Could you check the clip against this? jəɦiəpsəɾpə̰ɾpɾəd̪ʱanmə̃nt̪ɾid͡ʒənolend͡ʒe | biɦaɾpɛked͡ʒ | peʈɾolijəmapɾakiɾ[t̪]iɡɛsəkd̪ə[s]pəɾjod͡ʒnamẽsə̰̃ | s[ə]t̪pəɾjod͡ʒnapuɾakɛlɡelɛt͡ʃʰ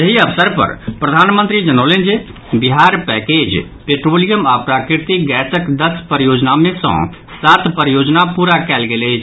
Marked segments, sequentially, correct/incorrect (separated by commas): correct, correct, incorrect